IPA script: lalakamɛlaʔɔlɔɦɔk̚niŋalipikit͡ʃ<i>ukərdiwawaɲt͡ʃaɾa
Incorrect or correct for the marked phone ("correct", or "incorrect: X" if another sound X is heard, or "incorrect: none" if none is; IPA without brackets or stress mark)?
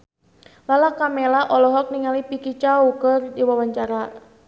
incorrect: a